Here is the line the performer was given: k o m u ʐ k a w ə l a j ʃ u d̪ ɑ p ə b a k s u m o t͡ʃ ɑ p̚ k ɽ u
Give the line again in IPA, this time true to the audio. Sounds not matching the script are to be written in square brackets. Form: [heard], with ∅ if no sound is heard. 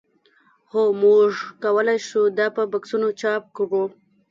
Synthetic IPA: [x] o m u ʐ k a w ə l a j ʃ u d̪ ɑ p ə b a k s u [n] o t͡ʃ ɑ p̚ k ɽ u